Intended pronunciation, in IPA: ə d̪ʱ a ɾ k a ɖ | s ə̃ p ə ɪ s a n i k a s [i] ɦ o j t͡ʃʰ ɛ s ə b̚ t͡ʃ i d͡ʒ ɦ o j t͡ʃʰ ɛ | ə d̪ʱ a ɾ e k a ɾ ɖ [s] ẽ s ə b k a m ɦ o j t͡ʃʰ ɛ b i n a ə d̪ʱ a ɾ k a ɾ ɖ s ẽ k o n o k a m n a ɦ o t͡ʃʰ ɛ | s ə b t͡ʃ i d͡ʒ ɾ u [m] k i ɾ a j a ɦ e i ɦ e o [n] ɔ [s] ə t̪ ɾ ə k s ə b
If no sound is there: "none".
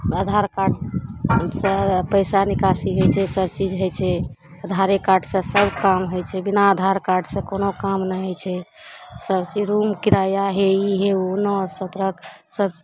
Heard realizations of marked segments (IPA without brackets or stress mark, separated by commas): i, s, m, n, s